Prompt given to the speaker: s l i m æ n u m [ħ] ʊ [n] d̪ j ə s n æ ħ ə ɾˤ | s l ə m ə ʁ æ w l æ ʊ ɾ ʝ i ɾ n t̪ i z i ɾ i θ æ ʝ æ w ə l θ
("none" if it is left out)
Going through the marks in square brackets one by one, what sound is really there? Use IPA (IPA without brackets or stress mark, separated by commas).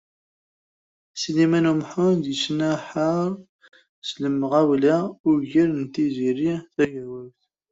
ħ, n